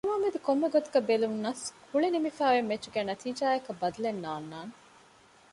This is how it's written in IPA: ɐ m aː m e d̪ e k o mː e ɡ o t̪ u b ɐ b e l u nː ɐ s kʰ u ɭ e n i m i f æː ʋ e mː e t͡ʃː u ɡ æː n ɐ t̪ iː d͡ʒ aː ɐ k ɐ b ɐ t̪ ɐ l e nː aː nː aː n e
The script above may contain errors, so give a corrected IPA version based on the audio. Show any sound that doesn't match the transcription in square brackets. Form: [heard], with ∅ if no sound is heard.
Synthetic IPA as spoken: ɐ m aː m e d̪ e k o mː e ɡ o t̪ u [ɡ] ɐ b e l u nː ɐ s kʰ u ɭ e n i m i f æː ʋ e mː e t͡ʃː u ɡ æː n ɐ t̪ iː d͡ʒ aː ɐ k ɐ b ɐ [d̪] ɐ l e nː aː nː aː n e